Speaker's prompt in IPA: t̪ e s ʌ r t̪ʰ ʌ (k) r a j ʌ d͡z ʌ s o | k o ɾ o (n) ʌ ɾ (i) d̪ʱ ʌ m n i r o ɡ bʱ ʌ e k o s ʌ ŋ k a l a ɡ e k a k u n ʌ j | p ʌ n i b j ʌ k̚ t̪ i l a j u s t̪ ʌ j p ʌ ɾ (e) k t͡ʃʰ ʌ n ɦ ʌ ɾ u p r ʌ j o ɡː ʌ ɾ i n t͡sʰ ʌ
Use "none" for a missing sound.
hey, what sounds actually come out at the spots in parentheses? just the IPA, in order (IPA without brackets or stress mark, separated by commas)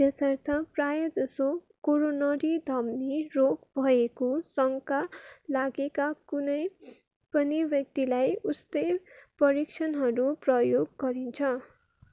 p, n, i, i